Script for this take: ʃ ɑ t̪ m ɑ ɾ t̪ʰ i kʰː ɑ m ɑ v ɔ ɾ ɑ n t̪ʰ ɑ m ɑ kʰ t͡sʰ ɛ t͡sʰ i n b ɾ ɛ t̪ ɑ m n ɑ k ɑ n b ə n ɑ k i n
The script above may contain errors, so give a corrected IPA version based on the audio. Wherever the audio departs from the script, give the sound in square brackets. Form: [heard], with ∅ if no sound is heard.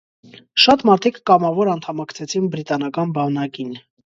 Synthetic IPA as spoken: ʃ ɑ t̪ m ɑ ɾ t̪ʰ i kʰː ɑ m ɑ v ɔ ɾ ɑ n t̪ʰ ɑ m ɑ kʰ t͡sʰ ɛ t͡sʰ i n b ɾ [i] t̪ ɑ [∅] n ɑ k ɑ n b [ɑ] n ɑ k i n